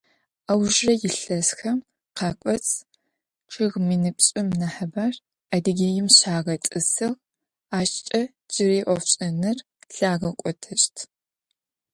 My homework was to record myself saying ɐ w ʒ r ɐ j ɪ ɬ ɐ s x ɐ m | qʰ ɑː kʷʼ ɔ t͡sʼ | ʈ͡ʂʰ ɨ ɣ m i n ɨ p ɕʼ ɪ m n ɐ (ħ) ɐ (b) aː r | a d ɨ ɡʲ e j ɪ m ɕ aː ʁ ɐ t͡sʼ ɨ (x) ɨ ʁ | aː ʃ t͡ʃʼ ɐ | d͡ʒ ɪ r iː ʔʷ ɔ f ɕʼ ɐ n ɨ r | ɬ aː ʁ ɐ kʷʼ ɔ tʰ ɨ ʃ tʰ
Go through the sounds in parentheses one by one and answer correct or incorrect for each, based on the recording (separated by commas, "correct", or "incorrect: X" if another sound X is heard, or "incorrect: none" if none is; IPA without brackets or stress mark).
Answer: correct, correct, incorrect: s